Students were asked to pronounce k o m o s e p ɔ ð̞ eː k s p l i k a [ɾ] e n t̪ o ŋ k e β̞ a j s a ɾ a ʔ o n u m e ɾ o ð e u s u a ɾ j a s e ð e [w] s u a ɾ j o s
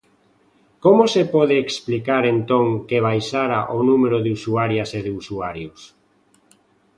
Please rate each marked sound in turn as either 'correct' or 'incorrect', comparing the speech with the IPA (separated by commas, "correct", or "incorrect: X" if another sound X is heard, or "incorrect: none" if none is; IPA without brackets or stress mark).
correct, incorrect: u